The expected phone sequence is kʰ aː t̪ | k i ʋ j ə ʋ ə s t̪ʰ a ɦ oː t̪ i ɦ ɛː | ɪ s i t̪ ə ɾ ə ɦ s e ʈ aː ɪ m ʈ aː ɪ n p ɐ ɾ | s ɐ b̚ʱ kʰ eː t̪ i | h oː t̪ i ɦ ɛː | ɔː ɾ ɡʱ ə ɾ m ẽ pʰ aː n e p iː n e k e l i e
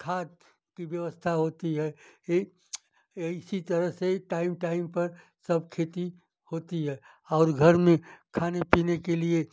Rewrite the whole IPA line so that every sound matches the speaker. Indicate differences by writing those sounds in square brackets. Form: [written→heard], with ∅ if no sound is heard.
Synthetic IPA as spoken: kʰ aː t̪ | k i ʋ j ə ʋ ə s t̪ʰ a ɦ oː t̪ i ɦ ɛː | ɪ s i t̪ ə ɾ ə ɦ s e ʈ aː ɪ m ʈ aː ɪ [n→m] p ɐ ɾ | s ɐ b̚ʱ kʰ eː t̪ i | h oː t̪ i ɦ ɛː | ɔː ɾ ɡʱ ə ɾ m ẽ [pʰ→kʰ] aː n e p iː n e k e l i e